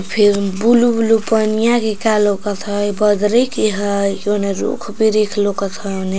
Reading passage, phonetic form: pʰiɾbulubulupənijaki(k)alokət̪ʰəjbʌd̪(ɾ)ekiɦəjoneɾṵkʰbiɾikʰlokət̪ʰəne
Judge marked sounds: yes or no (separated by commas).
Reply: yes, yes